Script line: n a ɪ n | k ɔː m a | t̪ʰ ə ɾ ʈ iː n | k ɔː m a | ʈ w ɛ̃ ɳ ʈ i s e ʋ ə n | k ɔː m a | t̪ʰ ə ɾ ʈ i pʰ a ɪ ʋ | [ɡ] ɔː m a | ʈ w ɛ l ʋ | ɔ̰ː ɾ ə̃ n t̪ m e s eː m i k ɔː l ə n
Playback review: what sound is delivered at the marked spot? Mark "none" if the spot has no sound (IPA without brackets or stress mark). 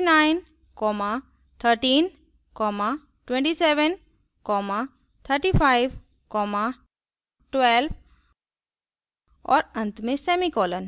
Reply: k